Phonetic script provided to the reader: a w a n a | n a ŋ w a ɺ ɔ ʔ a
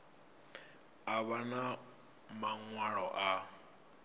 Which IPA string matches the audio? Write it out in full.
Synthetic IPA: a β a n a | m a ŋ w a ɺ ɔ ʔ a